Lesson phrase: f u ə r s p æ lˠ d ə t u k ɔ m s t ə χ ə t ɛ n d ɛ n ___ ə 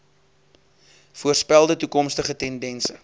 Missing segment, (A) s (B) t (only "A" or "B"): A